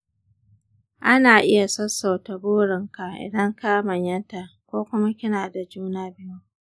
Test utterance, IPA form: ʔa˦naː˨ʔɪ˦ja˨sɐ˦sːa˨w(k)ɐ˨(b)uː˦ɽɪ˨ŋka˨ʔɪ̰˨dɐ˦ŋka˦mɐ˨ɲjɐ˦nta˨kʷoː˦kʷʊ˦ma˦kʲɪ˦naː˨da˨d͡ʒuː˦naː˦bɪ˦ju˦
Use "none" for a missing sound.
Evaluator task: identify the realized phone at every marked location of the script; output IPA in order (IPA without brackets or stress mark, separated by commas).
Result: t, b